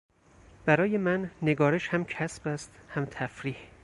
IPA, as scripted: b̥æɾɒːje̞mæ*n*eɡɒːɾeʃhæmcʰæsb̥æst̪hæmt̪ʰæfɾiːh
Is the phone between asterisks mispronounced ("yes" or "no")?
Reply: yes